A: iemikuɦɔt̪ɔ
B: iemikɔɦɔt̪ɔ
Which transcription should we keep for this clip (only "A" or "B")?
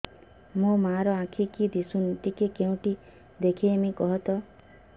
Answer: B